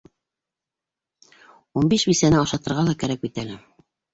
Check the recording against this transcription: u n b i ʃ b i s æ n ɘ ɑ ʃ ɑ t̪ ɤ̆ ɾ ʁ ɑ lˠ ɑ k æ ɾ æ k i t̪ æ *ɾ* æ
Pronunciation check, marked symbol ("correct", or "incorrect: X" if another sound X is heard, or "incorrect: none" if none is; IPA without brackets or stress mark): incorrect: l